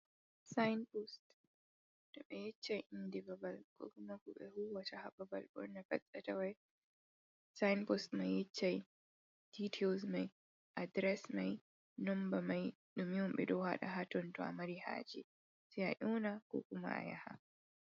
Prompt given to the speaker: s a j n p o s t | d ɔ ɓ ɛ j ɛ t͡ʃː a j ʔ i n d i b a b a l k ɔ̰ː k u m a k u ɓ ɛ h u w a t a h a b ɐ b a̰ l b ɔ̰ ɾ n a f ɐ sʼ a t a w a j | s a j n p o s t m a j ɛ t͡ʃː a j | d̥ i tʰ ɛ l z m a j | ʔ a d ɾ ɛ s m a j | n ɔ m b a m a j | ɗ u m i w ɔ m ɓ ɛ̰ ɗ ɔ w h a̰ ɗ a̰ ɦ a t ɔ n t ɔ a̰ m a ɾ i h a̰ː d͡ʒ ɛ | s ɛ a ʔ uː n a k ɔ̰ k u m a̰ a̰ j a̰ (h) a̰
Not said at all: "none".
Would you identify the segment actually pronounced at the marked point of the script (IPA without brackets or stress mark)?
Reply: h